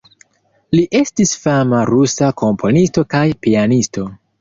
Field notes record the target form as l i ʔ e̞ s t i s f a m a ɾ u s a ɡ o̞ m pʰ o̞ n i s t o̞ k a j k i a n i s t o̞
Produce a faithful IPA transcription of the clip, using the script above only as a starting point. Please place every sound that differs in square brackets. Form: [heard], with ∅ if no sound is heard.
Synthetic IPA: l i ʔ e̞ s t i s f a m a ɾ u s a [k] o̞ m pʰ o̞ n i s t o̞ k a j [p] i a n i s t o̞